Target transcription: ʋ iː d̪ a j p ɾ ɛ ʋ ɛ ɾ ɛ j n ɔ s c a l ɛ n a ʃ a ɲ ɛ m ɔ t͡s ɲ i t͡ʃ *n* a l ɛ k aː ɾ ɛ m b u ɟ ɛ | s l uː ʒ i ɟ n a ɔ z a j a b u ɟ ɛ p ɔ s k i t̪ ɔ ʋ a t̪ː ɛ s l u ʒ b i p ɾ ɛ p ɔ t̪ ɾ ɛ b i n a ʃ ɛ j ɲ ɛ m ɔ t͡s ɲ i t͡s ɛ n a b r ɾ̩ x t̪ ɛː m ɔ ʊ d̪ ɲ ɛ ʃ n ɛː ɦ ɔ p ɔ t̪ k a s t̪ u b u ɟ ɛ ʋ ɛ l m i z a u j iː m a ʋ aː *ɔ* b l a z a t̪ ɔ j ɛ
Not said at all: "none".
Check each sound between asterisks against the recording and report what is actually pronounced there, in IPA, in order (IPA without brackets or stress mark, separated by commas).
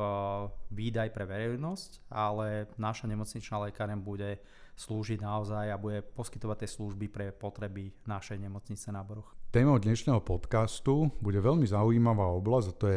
n, ɔ